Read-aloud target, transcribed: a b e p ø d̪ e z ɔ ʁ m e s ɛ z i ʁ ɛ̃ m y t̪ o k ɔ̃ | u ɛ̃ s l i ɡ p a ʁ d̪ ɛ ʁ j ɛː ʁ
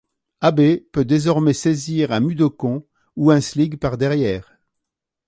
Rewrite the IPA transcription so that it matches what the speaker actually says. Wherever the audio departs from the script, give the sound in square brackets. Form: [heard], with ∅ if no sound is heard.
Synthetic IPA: a b e p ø d̪ e z ɔ ʁ m [ɛ] s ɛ z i ʁ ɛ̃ m y [d̪] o k ɔ̃ | u ɛ̃ s l i ɡ p a ʁ d̪ ɛ ʁ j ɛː ʁ